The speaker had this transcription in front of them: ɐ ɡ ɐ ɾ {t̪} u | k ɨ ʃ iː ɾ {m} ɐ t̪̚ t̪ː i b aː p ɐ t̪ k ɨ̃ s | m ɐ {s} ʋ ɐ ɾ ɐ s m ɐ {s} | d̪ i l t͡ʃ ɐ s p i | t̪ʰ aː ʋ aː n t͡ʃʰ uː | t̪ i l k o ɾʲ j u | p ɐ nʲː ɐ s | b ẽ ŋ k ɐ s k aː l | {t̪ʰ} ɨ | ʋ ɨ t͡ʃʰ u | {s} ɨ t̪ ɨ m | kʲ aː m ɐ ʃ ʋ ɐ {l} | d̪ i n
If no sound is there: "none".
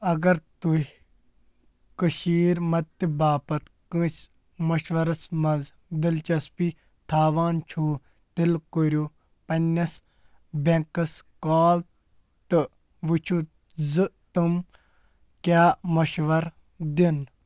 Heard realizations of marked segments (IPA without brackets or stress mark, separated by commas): t̪, m, ʃ, z, t̪, z, ɾ